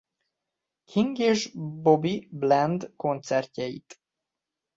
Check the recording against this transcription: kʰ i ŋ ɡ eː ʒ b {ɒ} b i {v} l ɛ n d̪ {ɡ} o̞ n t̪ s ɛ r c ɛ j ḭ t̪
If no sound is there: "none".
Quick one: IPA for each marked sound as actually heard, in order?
o, b, k

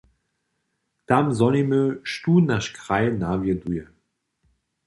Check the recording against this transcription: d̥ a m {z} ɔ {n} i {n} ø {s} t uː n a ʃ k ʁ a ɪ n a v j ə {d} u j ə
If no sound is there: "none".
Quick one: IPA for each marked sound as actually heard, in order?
z, n, m, ʃ, d

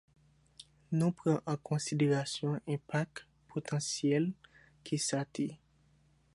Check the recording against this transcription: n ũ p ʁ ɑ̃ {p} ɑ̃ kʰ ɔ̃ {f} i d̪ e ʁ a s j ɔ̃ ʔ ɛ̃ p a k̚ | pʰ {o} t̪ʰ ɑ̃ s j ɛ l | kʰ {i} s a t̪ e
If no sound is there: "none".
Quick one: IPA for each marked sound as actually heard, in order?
ʔ, s, o, i

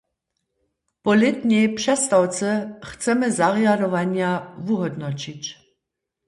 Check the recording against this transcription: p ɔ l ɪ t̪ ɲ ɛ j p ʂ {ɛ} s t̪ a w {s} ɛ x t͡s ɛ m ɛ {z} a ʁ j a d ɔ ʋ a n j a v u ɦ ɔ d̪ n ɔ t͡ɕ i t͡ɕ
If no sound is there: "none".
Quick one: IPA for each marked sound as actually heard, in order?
ɛ, t͡s, z

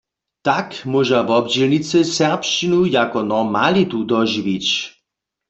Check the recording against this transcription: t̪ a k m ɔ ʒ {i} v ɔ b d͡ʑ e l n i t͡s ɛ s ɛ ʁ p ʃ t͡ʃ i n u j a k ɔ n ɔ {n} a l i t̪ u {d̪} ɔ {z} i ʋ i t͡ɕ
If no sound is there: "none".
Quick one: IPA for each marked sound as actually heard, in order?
a, m, d̪, ʒ

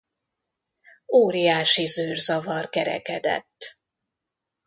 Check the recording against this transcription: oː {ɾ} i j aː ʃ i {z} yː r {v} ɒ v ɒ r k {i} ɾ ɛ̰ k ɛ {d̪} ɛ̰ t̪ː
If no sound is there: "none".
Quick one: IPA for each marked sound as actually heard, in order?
ɾ, z, z, ɛ, d̪

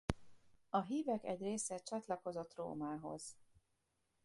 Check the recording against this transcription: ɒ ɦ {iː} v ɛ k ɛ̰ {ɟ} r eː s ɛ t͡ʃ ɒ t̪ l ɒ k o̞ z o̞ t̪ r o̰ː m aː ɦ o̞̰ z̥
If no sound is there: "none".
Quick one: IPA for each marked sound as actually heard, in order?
iː, ɟ

